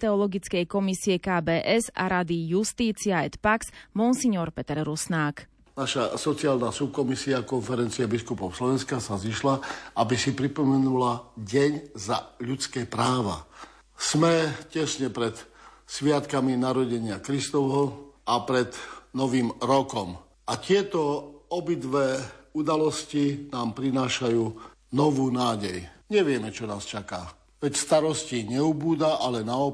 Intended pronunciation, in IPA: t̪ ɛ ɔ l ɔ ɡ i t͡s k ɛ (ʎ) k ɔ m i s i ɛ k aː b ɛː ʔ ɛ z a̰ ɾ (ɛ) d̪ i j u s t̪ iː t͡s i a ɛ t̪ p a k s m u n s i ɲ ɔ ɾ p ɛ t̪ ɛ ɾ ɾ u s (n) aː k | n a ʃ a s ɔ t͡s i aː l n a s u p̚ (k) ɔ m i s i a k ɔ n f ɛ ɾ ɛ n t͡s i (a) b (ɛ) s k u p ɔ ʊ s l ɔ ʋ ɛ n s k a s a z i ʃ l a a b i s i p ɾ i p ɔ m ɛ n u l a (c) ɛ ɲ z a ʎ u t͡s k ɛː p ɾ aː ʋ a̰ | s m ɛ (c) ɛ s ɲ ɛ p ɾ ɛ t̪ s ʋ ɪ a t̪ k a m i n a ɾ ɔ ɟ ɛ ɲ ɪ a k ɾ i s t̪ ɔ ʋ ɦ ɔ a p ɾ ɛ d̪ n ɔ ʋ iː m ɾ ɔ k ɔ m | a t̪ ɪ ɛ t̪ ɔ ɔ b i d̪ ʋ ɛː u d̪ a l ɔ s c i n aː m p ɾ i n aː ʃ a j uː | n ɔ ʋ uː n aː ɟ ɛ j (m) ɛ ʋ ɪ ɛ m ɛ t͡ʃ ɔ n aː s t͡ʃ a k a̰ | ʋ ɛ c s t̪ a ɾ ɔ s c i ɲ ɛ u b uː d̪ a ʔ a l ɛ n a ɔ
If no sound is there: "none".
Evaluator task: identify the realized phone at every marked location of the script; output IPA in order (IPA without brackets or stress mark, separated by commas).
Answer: j, a, n, k, ɛ, i, ɟ, c, ɲ